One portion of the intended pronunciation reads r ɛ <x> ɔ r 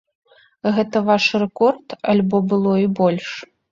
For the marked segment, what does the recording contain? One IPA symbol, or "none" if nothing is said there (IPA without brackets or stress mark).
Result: k